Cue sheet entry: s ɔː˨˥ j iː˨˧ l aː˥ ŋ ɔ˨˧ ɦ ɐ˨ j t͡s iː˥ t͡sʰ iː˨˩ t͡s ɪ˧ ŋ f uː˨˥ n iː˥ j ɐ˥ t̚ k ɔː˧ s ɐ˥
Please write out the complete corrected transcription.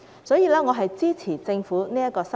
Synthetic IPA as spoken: s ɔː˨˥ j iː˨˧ l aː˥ ŋ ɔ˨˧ ɦ ɐ˨ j t͡s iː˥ t͡sʰ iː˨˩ t͡s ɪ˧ ŋ f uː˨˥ n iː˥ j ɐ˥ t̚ k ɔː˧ s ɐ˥